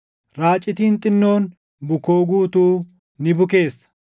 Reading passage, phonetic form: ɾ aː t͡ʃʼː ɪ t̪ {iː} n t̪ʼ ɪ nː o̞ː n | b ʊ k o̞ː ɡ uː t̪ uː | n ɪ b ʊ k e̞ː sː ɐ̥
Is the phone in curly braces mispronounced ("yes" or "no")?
no